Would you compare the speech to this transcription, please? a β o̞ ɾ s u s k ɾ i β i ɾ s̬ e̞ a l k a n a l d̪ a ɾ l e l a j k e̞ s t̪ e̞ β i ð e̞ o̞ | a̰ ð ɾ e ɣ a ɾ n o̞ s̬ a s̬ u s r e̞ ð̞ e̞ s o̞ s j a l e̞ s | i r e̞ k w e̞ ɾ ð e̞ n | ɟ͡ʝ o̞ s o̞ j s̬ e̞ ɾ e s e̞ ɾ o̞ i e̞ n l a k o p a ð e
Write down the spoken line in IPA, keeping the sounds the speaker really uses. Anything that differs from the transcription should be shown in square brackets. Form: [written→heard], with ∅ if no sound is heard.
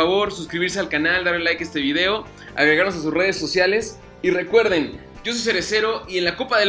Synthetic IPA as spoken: a β o̞ ɾ s u s k ɾ i β i ɾ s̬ e̞ a l k a n a l d̪ a ɾ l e l a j k e̞ s t̪ e̞ β i ð e̞ o̞ | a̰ [ð→ɣ] ɾ e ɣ a ɾ n o̞ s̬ a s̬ u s r e̞ ð̞ e̞ s o̞ s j a l e̞ s | i r e̞ k w e̞ ɾ ð e̞ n | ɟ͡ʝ o̞ s o̞ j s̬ e̞ ɾ e s e̞ ɾ o̞ i e̞ n l a k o p a ð e